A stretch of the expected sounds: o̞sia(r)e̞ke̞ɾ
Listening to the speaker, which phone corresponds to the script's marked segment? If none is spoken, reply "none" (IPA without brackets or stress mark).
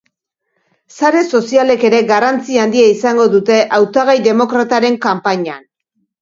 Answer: l